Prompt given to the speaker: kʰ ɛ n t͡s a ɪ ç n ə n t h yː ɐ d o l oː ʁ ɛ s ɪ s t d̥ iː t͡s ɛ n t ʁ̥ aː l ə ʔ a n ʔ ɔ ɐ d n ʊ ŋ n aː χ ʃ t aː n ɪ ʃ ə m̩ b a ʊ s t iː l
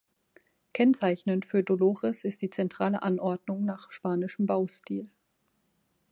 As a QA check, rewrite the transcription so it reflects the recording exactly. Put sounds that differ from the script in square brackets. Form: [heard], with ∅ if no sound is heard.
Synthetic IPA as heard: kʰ ɛ n t͡s a ɪ ç n ə n t [f] yː ɐ d o l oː ʁ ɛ s ɪ s t d̥ iː t͡s ɛ n t ʁ̥ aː l ə ʔ a n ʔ ɔ ɐ d n ʊ ŋ n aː χ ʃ [p] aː n ɪ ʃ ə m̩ b a ʊ s t iː l